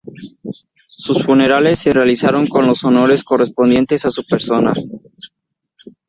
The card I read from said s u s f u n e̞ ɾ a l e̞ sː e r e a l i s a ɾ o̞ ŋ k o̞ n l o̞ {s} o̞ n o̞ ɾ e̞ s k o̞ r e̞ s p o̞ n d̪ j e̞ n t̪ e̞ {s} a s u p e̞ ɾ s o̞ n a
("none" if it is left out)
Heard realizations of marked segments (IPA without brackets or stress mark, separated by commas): s, s